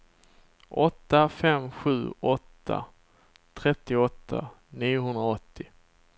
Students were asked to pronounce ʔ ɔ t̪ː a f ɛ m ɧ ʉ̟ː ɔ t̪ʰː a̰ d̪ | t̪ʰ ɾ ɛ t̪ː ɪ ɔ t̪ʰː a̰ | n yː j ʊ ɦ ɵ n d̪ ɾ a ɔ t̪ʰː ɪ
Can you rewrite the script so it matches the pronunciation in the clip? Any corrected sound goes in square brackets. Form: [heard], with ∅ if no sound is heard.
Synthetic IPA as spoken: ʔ ɔ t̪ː a f ɛ m ɧ ʉ̟ː ɔ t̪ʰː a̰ [∅] | t̪ʰ ɾ ɛ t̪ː ɪ ɔ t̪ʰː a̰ | n [iː] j ʊ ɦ ɵ n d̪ ɾ a ɔ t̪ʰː ɪ